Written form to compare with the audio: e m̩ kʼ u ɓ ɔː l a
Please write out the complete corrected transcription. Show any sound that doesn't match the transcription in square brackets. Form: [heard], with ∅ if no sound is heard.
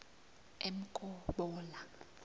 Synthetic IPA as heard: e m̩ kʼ [ɔ] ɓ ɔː l a